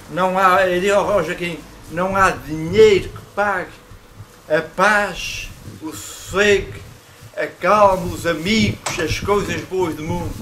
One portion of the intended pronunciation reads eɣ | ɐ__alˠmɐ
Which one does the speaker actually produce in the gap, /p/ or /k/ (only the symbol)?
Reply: k